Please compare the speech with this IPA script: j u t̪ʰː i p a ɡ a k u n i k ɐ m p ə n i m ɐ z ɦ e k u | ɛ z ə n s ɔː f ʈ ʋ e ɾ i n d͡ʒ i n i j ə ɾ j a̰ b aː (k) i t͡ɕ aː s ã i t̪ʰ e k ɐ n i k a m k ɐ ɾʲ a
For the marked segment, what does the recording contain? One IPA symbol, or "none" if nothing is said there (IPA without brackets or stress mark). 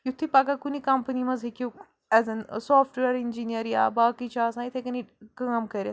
k